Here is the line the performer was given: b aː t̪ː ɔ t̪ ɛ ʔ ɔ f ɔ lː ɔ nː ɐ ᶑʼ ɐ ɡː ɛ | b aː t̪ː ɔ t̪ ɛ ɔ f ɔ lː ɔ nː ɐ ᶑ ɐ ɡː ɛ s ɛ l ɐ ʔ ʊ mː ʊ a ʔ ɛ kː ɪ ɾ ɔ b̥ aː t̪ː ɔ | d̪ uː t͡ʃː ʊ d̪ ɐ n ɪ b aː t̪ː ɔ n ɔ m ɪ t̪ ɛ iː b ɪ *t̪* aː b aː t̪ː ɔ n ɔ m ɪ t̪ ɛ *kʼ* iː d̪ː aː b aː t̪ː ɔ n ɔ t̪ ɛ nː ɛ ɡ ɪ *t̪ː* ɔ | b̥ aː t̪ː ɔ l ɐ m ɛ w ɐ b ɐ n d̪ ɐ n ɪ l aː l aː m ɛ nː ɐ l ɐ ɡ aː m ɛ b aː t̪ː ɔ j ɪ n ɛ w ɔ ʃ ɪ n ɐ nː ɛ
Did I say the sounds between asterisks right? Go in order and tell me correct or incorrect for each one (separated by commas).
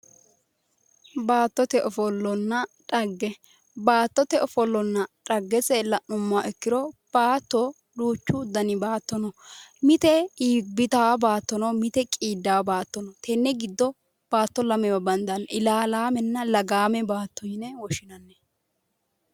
correct, correct, incorrect